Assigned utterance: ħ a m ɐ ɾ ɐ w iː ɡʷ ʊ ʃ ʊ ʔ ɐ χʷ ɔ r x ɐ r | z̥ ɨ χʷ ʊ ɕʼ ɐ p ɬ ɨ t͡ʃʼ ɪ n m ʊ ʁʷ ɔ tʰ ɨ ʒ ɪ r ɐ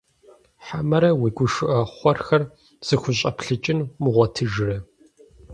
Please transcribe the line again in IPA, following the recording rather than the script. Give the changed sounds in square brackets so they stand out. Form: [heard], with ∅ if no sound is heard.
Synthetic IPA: ħ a m ɐ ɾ ɐ w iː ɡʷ ʊ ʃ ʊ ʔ ɐ χʷ ɔ r x ɐ r | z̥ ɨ [xʷ] ʊ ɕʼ ɐ p ɬ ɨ t͡ʃʼ ɪ n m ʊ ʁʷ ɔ tʰ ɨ ʒ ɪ r ɐ